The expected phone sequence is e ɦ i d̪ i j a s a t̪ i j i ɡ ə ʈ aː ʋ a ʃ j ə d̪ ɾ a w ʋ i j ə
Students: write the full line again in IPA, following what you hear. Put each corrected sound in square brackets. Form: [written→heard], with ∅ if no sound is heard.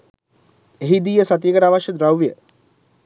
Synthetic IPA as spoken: e ɦ i d̪ i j [a→ə] s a t̪ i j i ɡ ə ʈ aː ʋ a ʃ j ə d̪ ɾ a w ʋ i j ə